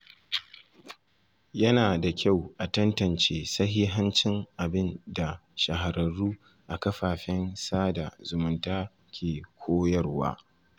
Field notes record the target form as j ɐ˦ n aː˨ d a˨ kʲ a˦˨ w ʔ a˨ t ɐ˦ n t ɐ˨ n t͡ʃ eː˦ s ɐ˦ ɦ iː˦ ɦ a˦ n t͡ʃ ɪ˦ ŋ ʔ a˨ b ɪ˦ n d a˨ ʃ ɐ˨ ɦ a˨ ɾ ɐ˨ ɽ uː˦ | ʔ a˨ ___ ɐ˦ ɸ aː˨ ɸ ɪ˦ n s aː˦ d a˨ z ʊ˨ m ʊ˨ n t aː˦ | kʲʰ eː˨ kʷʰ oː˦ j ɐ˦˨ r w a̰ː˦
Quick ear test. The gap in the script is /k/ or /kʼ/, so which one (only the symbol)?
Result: k